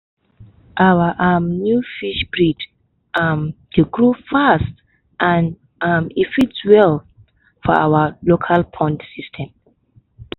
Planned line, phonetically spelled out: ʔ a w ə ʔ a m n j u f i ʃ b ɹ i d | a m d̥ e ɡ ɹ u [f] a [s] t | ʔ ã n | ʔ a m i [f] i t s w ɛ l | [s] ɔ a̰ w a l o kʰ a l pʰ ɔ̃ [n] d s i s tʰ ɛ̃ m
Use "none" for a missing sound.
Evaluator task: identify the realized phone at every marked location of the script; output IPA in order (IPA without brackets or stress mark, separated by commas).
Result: f, s, f, f, n